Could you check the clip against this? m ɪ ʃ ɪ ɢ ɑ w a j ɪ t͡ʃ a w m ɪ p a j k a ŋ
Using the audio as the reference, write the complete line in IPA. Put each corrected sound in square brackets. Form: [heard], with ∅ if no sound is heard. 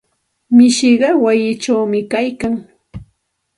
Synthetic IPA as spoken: m ɪ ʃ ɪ ɢ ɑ w a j ɪ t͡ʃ a w m ɪ [k] a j k a ŋ